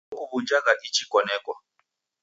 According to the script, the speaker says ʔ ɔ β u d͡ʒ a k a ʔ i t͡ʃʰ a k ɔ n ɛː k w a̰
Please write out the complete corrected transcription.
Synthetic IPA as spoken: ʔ u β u d͡ʒ a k a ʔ i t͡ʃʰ i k ɔ n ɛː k w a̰